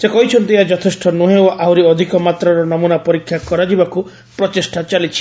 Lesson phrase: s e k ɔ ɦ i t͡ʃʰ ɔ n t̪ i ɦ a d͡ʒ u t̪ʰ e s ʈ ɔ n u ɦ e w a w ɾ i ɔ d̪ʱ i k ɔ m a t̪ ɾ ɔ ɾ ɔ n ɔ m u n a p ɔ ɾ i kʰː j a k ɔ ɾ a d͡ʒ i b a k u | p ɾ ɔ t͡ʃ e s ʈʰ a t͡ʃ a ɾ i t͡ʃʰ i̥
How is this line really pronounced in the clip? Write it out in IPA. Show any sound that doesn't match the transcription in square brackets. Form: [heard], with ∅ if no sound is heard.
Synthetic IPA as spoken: s e k ɔ ɦ i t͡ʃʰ ɔ n t̪ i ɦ a d͡ʒ [ɔ] t̪ʰ e s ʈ ɔ n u ɦ e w a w ɾ i ɔ d̪ʱ i k ɔ m a t̪ ɾ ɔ ɾ ɔ n ɔ m u n a p ɔ ɾ i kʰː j a k ɔ ɾ a d͡ʒ i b a k u | p ɾ ɔ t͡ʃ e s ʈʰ a t͡ʃ a [l] i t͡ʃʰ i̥